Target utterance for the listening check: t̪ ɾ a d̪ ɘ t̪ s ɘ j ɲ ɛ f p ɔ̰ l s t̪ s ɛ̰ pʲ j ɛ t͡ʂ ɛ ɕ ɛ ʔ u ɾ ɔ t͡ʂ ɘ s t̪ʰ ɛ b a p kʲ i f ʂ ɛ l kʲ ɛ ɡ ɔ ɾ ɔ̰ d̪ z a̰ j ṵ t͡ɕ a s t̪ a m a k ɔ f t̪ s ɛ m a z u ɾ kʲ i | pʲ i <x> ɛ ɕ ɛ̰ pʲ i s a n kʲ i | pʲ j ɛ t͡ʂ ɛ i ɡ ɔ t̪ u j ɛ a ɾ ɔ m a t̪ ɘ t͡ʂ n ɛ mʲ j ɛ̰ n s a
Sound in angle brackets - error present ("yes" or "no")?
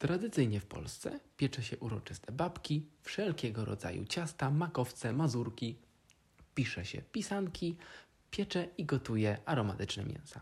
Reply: yes